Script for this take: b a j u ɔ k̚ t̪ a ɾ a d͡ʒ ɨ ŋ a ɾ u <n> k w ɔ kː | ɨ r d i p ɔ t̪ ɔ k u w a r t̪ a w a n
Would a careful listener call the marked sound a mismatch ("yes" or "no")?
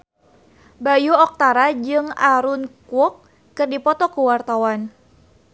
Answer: no